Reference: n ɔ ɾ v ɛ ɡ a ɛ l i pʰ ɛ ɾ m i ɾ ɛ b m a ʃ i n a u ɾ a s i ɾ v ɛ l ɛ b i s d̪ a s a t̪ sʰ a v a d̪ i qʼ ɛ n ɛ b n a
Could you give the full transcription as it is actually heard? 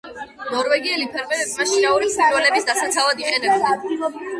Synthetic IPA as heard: n ɔ ɾ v ɛ ɡ i ɛ l i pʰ ɛ ɾ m ɛ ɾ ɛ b m a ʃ i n a u ɾ i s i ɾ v ɛ l ɛ b i s d̪ a s a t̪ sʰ a v a d̪ i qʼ ɛ n ɛ b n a